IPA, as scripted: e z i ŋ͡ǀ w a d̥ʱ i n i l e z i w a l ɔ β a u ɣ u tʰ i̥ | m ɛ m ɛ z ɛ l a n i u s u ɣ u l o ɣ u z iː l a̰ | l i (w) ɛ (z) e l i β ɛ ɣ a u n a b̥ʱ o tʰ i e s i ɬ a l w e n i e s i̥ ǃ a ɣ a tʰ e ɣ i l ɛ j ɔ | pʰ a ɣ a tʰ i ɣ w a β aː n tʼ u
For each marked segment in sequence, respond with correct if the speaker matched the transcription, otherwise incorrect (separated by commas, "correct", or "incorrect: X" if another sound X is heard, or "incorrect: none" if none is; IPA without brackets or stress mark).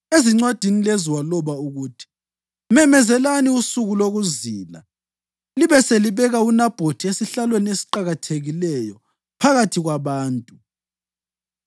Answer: incorrect: β, incorrect: s